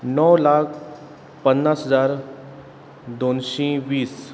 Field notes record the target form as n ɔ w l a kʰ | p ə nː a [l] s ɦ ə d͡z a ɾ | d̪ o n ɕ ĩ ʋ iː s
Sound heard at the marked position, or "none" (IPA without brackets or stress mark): none